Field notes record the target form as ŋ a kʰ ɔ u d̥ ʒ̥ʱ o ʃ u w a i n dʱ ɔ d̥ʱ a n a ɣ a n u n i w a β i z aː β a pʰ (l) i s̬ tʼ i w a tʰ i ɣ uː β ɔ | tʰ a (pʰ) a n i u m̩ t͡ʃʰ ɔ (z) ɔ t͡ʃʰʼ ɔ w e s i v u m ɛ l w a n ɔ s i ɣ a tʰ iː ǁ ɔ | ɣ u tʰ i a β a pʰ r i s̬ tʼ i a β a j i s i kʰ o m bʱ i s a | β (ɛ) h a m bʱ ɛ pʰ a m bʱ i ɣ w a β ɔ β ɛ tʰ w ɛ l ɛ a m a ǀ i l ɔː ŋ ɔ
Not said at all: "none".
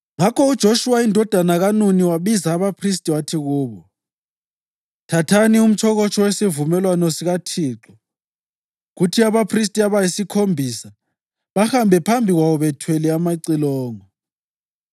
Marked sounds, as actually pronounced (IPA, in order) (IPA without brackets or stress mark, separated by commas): r, tʰ, ɣ, a